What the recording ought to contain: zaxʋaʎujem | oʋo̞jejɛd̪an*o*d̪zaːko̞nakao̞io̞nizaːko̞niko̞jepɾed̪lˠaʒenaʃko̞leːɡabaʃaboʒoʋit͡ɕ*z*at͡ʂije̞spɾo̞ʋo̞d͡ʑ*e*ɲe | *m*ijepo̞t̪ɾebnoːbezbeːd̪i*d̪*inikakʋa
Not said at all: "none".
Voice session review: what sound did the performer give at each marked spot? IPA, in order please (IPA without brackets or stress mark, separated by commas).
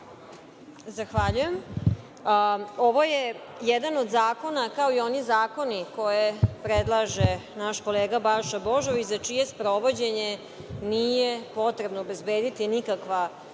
o, z, e, n, t̪